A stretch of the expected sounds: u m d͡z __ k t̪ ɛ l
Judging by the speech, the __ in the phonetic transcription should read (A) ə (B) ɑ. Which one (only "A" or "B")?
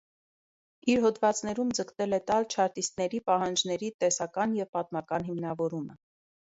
A